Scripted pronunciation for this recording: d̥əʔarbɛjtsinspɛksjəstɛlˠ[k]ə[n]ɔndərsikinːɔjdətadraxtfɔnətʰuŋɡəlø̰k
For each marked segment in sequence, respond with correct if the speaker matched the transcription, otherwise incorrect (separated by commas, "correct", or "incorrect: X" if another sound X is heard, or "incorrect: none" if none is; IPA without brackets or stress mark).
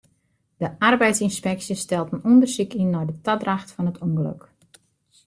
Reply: incorrect: t, correct